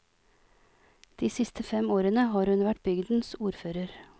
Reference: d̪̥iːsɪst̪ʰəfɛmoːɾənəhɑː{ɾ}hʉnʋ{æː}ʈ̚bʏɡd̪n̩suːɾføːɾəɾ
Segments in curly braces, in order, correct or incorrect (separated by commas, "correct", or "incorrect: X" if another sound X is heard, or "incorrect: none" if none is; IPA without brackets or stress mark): correct, incorrect: æ